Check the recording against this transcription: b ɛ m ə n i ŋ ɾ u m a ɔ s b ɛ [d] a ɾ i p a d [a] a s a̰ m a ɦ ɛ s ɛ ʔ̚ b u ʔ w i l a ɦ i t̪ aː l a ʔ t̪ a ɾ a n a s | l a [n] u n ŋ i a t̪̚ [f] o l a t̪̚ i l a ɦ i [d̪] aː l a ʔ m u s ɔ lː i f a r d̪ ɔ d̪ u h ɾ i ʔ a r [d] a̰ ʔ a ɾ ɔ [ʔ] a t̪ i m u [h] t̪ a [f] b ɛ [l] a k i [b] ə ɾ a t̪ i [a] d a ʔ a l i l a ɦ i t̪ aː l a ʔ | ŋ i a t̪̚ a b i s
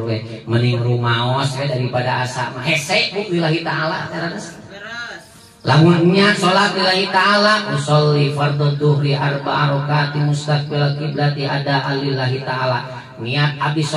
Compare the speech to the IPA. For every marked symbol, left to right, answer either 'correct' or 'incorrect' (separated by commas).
correct, correct, incorrect, incorrect, incorrect, incorrect, incorrect, incorrect, correct, correct, correct, correct